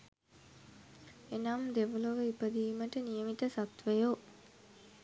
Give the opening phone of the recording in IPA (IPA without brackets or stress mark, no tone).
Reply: e